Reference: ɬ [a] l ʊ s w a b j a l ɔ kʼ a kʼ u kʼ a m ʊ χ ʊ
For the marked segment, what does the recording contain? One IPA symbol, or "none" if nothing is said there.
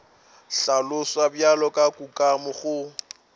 a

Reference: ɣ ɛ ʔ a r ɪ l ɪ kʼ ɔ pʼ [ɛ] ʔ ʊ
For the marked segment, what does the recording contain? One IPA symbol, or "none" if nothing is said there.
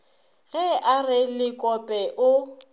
ɛ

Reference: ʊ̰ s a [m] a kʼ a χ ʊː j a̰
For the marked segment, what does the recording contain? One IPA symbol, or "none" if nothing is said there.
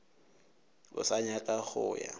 ɲ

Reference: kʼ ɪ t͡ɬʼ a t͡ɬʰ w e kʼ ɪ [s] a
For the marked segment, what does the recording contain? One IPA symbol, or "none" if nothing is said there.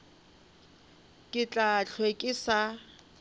s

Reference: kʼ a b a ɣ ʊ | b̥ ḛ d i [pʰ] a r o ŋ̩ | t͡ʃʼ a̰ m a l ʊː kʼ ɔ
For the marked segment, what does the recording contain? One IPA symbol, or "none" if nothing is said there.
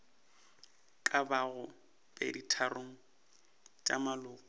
tʰ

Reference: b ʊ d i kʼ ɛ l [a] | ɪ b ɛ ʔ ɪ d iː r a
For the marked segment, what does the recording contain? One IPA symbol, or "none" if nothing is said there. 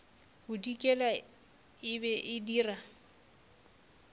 a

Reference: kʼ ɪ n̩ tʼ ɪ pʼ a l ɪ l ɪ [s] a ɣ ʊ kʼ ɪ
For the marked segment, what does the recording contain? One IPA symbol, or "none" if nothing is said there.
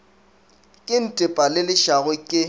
ʃ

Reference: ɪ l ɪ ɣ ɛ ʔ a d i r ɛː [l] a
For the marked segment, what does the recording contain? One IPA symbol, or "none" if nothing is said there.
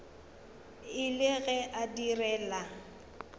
l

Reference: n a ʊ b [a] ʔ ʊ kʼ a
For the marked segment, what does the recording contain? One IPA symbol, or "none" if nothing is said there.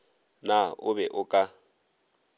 ɛ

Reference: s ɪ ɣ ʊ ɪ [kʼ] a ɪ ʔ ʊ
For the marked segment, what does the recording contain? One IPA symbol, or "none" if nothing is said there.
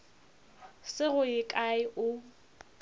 kʼ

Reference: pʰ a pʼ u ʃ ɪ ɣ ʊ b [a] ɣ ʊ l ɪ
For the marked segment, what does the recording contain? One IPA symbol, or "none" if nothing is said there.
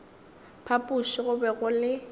ɛ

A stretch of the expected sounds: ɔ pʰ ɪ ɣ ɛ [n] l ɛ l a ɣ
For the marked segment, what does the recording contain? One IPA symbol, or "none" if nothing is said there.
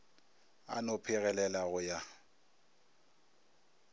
none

